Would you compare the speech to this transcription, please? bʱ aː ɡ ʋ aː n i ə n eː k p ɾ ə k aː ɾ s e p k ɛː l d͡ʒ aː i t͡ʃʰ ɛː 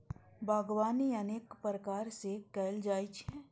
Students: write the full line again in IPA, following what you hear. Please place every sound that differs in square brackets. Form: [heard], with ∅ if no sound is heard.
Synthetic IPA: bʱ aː ɡ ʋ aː n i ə n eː k p ɾ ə k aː ɾ s e [∅] k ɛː l d͡ʒ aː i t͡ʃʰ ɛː

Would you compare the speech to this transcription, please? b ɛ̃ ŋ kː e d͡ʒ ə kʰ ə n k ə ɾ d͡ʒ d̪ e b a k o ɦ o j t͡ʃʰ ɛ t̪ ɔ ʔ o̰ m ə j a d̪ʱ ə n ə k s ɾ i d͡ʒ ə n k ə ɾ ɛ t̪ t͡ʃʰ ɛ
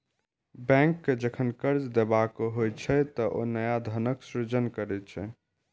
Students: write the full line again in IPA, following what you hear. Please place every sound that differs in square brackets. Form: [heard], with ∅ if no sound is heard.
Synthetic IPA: b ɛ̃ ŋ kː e d͡ʒ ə kʰ ə n k ə ɾ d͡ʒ d̪ e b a k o ɦ o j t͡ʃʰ ɛ t̪ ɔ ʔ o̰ [n] ə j a d̪ʱ ə n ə k s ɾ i d͡ʒ ə n k ə ɾ ɛ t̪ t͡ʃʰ ɛ

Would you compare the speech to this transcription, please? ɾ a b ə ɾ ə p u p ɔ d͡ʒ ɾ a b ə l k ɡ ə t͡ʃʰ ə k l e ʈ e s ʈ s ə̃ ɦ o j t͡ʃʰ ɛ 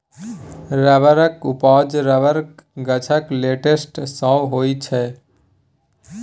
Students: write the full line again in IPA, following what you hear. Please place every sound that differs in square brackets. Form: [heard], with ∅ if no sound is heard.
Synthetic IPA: ɾ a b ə ɾ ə [k] u p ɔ d͡ʒ ɾ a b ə [ɾ] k ɡ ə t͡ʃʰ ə k l e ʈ e s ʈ s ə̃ ɦ o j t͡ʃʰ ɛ

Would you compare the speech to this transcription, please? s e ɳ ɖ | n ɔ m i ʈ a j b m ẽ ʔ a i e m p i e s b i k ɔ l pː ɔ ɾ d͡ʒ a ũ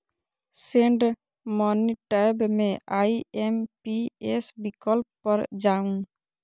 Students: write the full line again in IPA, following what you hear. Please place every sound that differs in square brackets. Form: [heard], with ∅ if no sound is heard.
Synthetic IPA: s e ɳ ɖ | [m] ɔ [n] i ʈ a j b m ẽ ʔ a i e m p i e s b i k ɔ l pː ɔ ɾ d͡ʒ a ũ

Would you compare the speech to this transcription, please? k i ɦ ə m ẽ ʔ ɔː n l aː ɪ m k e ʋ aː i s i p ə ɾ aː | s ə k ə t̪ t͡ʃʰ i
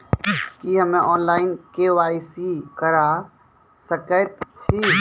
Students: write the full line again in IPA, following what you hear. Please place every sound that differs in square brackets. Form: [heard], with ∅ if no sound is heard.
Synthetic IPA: k i ɦ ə m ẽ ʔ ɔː n l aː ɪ [n] k e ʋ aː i s i [k] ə ɾ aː | s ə k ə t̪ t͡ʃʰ i

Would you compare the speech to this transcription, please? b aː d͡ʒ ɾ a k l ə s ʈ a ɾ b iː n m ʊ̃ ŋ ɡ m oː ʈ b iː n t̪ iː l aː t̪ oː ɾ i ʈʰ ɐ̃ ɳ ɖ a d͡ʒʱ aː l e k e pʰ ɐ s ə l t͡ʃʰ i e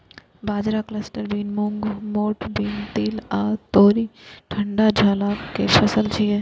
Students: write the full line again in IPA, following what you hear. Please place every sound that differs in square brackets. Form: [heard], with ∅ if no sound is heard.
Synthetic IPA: b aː d͡ʒ ɾ a k l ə s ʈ [ə] ɾ b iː n m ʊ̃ ŋ ɡ m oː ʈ b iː n t̪ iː l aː t̪ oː ɾ i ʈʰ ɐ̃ ɳ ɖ a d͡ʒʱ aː l [a] k e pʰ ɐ s ə l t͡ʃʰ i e

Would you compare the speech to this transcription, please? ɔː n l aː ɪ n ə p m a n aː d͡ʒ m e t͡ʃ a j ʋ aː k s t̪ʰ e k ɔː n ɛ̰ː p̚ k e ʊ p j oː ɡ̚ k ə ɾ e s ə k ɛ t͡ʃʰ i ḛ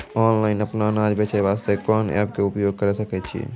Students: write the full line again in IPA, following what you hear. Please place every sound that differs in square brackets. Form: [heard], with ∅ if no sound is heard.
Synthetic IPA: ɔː n l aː ɪ n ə p [n] a n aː d͡ʒ [b] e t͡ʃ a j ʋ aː [∅] s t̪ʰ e k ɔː n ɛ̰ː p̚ k e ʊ p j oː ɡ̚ k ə ɾ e s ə k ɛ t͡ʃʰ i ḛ

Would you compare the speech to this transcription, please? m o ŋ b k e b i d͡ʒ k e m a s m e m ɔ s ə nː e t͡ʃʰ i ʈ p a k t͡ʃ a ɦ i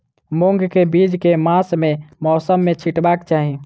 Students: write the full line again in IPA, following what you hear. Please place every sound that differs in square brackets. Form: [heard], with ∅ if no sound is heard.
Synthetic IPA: m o ŋ [ɡ] k e b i d͡ʒ k e m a s m e m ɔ s ə [mː] e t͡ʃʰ i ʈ [b] a k t͡ʃ a ɦ i

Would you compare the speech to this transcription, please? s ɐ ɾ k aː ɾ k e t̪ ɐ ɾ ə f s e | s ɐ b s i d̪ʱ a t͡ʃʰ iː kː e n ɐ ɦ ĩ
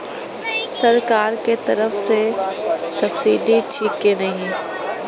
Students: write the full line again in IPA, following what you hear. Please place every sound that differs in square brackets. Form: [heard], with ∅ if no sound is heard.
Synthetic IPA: s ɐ ɾ k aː ɾ k e t̪ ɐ ɾ ə f s e | s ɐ b s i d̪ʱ [i] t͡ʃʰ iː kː e n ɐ ɦ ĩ

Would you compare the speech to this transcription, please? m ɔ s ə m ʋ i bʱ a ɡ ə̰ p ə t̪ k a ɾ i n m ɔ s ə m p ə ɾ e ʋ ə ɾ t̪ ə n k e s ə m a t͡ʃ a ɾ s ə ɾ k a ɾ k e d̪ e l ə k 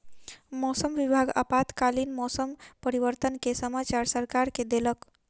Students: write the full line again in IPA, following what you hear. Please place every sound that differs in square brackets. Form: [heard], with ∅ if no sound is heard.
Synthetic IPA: m ɔ s ə m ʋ i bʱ a ɡ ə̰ p [a] t̪ k a [l] i n m ɔ s ə m p ə ɾ [i] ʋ ə ɾ t̪ ə n k e s ə m a t͡ʃ a ɾ s ə ɾ k a ɾ k e d̪ e l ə k

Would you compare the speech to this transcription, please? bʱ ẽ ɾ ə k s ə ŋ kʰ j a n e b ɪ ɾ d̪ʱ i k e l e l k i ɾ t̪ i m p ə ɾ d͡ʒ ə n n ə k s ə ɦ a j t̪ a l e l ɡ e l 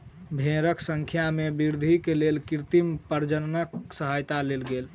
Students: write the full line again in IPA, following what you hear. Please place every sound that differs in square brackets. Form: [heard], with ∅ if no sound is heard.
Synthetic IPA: bʱ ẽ ɾ ə k s ə ŋ kʰ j a [m] e b [i] ɾ d̪ʱ i k e l e l k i ɾ t̪ i m p ə ɾ d͡ʒ ə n n ə k s ə ɦ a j t̪ a l e l ɡ e l

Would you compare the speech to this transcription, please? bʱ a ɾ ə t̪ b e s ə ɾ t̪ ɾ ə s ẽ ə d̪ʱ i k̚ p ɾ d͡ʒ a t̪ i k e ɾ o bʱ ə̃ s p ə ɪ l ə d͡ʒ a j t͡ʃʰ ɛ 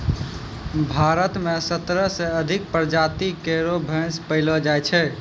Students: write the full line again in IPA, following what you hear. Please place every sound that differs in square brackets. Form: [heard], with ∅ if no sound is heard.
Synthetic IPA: bʱ a ɾ ə t̪ [m] e s ə [∅] t̪ ɾ ə s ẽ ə d̪ʱ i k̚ p ɾ d͡ʒ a t̪ i k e ɾ o bʱ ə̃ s p ə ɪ l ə d͡ʒ a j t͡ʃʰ ɛ

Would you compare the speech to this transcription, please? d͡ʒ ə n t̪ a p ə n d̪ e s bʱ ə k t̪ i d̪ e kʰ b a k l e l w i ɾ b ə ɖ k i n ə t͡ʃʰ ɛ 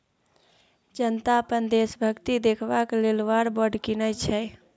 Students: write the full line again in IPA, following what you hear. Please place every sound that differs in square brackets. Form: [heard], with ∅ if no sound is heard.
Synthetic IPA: d͡ʒ ə n t̪ a p ə n d̪ e s bʱ ə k t̪ i d̪ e kʰ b a k l e l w [a] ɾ b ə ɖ k i n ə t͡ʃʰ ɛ

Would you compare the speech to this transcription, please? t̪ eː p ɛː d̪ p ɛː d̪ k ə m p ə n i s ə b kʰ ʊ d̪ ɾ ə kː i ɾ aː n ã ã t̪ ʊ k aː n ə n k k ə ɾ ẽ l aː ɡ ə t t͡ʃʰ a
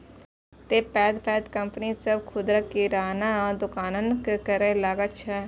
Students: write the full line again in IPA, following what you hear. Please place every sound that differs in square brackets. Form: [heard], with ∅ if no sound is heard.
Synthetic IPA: t̪ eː p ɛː d̪ p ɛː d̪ k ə m p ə n i s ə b kʰ ʊ d̪ ɾ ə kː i ɾ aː n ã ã [d̪] ʊ k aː n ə n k k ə ɾ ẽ l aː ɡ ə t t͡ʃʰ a

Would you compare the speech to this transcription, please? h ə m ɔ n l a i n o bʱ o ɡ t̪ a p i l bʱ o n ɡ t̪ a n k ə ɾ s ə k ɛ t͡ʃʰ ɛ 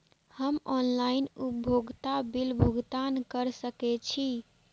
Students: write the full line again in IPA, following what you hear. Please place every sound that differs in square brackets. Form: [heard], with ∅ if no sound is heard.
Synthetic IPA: h ə m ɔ n l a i n [u] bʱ o ɡ t̪ a [b] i l bʱ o [∅] ɡ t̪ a n k ə ɾ s ə k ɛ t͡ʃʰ [i]

